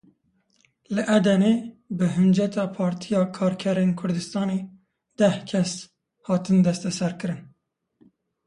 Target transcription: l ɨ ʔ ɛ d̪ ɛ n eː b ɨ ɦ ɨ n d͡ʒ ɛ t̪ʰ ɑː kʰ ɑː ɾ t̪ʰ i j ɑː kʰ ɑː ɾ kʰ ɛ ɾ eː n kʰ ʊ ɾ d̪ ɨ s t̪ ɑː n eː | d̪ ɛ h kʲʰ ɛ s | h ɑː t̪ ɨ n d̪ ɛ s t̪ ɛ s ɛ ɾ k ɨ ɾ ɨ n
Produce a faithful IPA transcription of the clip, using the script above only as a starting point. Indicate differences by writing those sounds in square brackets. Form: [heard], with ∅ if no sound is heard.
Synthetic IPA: l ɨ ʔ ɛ d̪ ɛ n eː b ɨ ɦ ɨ n d͡ʒ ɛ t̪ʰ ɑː [pʰ] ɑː ɾ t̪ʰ i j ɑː kʰ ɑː ɾ kʰ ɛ ɾ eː n kʰ ʊ ɾ d̪ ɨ s t̪ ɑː n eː | d̪ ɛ h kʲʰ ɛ s | h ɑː t̪ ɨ n d̪ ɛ s t̪ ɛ s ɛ ɾ k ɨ ɾ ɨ n